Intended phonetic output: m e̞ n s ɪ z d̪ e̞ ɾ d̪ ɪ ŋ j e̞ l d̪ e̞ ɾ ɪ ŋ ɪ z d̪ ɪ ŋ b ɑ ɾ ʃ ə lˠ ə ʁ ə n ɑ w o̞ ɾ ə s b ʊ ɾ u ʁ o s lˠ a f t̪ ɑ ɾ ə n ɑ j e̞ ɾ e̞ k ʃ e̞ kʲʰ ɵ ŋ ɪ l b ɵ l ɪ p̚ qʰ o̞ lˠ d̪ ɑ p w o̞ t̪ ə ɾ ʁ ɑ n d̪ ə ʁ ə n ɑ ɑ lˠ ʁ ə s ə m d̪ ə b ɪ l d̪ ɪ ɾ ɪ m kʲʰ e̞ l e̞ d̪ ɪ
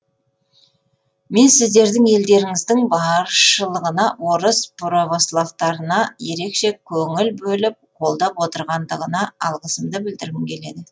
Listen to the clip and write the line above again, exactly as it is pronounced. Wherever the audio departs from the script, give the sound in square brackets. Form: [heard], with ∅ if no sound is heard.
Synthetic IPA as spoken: m e̞ n s ɪ z d̪ e̞ ɾ d̪ ɪ ŋ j e̞ l d̪ e̞ ɾ ɪ ŋ ɪ z d̪ ɪ ŋ b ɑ ɾ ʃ ə lˠ ə ʁ ə n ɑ w o̞ ɾ ə s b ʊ ɾ [o] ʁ o s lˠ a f t̪ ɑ ɾ ə n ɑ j e̞ ɾ e̞ k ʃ e̞ kʲʰ ɵ ŋ ɪ l b ɵ l ɪ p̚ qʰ o̞ lˠ d̪ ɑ p w o̞ t̪ ə ɾ ʁ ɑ n d̪ ə ʁ ə n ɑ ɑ lˠ ʁ ə s ə m d̪ ə b ɪ l d̪ ɪ ɾ ɪ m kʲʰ e̞ l e̞ d̪ ɪ